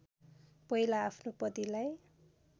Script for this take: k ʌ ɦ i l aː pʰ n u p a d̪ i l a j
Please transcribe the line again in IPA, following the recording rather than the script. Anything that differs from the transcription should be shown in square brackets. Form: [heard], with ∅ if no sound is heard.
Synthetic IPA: [p] ʌ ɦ i l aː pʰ n [o] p [ʌ] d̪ i l a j